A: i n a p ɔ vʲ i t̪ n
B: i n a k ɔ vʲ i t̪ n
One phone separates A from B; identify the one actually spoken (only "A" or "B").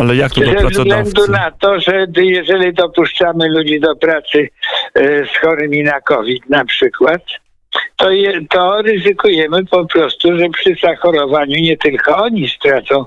B